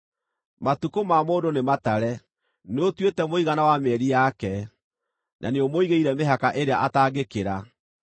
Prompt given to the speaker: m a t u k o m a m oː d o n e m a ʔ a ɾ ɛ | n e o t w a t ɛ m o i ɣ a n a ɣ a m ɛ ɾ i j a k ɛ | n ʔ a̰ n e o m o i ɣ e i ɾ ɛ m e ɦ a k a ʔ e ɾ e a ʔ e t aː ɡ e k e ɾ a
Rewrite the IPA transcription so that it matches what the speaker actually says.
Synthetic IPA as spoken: m a t u k o m a m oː d o n e m a t a ɾ ɛ | n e o t w e t ɛ m o i ɣ a n a w a m ɛ ɾ i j a k ɛ | n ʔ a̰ n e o m o i ɣ e i ɾ ɛ m e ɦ a k a ʔ e ɾ e a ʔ a t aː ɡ e k e ɾ a